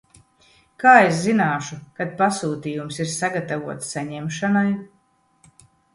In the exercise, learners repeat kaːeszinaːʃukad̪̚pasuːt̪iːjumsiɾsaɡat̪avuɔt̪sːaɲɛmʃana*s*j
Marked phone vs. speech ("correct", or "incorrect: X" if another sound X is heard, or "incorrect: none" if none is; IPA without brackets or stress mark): incorrect: none